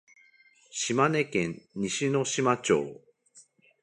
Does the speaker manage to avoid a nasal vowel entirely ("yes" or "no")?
no